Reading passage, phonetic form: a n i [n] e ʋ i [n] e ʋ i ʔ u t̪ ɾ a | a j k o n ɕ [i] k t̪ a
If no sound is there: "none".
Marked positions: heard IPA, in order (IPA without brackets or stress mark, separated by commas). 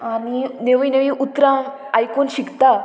n, n, i